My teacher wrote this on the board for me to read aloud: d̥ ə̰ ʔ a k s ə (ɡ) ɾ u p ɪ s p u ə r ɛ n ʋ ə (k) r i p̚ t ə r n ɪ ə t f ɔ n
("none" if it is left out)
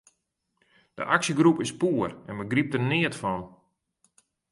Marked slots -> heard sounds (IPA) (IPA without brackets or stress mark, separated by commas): ɡ, ɡ